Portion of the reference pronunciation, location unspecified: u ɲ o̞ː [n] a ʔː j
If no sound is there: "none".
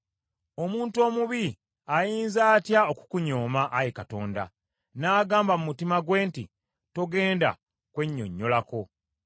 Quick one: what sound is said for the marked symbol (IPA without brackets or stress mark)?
m